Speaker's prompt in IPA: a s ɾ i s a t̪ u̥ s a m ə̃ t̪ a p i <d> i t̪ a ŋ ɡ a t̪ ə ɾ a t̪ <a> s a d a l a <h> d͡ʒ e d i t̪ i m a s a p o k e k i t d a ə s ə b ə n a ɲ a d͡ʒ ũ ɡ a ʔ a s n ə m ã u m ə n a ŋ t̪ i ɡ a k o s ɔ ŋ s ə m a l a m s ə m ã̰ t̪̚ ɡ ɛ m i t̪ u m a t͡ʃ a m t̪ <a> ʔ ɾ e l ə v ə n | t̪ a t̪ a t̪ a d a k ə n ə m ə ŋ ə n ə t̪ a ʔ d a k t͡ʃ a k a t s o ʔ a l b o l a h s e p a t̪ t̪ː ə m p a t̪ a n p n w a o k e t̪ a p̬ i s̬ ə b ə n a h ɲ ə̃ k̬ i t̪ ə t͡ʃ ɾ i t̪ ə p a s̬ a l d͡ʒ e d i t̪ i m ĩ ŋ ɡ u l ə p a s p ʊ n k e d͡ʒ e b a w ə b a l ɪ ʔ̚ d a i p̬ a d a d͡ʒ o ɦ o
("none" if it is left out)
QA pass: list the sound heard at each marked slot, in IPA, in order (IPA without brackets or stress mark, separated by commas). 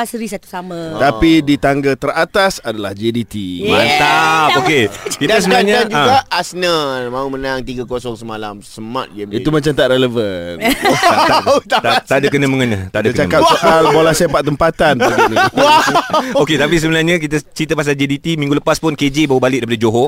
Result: d, a, h, a